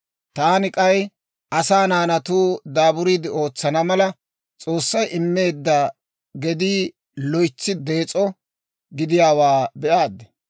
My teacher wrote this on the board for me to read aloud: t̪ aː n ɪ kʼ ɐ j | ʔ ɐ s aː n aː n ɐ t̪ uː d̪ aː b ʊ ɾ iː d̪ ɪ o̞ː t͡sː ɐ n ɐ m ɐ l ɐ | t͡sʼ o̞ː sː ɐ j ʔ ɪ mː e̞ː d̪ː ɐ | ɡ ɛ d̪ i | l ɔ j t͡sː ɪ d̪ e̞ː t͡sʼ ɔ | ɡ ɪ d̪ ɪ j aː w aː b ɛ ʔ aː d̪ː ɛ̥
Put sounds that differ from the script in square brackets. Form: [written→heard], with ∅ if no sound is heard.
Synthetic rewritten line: t̪ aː n ɪ kʼ ɐ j | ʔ ɐ s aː n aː n ɐ t̪ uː d̪ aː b ʊ ɾ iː d̪ ɪ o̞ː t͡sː ɐ n ɐ m ɐ l ɐ | t͡sʼ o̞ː sː ɐ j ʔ ɪ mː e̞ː d̪ː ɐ | ɡ ɛ d̪ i | l ɔ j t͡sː ɪ d̪ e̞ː t͡sʼ ɔ | ɡ ɪ d̪ ɪ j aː w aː b ɛ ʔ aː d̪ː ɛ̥

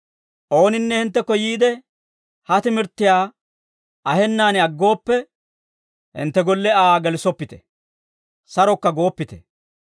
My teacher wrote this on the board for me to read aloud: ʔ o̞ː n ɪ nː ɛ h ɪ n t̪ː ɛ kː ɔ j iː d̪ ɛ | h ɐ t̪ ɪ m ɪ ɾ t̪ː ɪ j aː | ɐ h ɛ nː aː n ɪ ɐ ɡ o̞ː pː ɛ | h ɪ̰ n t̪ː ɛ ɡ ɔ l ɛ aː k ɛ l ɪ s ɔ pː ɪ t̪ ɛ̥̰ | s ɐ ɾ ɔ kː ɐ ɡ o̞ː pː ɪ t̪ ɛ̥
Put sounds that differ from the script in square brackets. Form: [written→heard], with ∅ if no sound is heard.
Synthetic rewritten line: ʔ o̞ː n ɪ nː ɛ h ɪ n t̪ː ɛ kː ɔ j iː d̪ ɛ | h ɐ t̪ ɪ m ɪ ɾ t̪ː ɪ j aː | ɐ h ɛ nː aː n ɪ ɐ [ɡ→ɡː] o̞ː pː ɛ | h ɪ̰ n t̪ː ɛ ɡ ɔ [l→lː] ɛ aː [k→ɡ] ɛ l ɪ s ɔ pː ɪ t̪ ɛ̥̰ | s ɐ ɾ ɔ kː ɐ ɡ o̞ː pː ɪ t̪ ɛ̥

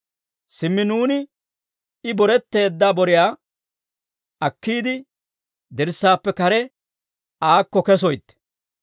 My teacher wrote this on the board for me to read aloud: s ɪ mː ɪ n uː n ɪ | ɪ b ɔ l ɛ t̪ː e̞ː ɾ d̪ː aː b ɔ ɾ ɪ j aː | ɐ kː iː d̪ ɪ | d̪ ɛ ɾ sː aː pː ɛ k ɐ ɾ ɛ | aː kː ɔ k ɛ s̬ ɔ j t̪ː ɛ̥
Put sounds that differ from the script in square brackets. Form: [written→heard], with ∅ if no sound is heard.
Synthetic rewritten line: s ɪ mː ɪ n uː n ɪ | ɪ b ɔ [l→ɾ] ɛ t̪ː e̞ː [ɾ→∅] d̪ː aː b ɔ ɾ ɪ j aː | ɐ kː iː d̪ ɪ | d̪ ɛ ɾ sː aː pː ɛ k ɐ ɾ ɛ | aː kː ɔ k ɛ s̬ ɔ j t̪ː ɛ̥

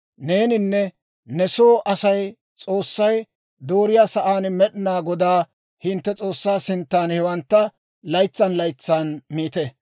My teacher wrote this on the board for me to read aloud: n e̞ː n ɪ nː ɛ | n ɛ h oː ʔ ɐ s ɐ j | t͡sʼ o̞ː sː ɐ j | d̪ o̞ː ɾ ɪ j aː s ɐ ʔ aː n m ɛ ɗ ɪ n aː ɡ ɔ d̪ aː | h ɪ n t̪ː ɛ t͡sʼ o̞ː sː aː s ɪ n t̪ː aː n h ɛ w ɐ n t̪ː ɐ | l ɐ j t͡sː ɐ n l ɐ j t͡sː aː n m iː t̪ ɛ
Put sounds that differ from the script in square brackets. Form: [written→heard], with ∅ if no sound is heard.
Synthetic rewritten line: n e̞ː n ɪ nː ɛ | n ɛ [h→s] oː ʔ ɐ s ɐ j | t͡sʼ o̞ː sː ɐ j | d̪ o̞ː ɾ ɪ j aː s ɐ ʔ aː n m ɛ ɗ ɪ n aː ɡ ɔ d̪ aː | h ɪ n t̪ː ɛ t͡sʼ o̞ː sː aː s ɪ n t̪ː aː n h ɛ w ɐ n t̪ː ɐ | l ɐ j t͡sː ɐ n l ɐ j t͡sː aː n m iː t̪ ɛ

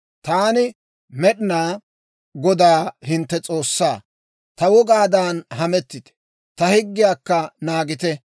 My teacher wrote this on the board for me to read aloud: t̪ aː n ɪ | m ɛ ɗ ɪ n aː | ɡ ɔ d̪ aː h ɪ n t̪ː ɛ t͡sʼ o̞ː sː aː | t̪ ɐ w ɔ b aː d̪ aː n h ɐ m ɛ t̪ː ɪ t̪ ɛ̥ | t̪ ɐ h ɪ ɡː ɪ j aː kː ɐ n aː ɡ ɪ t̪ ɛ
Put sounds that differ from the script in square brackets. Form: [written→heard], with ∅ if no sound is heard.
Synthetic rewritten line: t̪ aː n ɪ | m ɛ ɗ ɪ n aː | ɡ ɔ d̪ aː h ɪ n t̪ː ɛ t͡sʼ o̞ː sː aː | t̪ ɐ w ɔ [b→ɡ] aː d̪ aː n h ɐ m ɛ t̪ː ɪ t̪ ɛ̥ | t̪ ɐ h ɪ ɡː ɪ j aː kː ɐ n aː ɡ ɪ t̪ ɛ

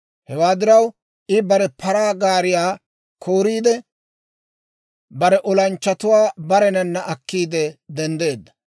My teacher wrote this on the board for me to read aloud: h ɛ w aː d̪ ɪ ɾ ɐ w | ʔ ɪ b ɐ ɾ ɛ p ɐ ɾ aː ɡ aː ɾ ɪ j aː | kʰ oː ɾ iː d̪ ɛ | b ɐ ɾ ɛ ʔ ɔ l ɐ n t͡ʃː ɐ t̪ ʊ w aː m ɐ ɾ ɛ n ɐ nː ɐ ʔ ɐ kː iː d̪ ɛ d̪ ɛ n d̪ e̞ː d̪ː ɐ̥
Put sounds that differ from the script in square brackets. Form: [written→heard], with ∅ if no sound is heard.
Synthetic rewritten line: h ɛ w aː d̪ ɪ ɾ ɐ w | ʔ ɪ b ɐ ɾ ɛ p ɐ ɾ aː ɡ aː ɾ ɪ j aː | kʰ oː ɾ iː d̪ ɛ | b ɐ ɾ ɛ ʔ ɔ l ɐ n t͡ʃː ɐ t̪ ʊ w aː [m→b] ɐ ɾ ɛ n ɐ nː ɐ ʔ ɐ kː iː d̪ ɛ d̪ ɛ n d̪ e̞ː d̪ː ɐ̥

